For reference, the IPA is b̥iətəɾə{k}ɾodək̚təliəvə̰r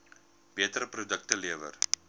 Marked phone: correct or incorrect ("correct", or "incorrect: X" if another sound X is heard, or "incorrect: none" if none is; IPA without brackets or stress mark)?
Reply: incorrect: p